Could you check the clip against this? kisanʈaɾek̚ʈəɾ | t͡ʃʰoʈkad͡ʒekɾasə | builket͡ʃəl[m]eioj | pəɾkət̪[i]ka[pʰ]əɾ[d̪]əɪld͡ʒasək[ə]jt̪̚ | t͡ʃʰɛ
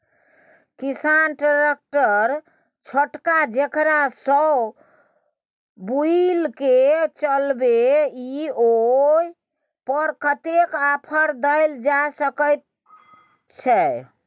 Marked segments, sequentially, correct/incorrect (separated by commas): incorrect, incorrect, correct, correct, correct